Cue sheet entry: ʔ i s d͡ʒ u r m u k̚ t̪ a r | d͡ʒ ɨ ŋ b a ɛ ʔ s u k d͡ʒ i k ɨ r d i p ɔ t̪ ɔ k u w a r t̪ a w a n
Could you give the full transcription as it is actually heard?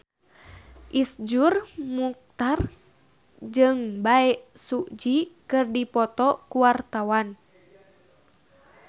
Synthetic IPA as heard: ʔ i s d͡ʒ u r m u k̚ t̪ a r | d͡ʒ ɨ ŋ b a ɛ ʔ s u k d͡ʒ i k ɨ r d i p ɔ t̪ ɔ k u w a r t̪ a w a n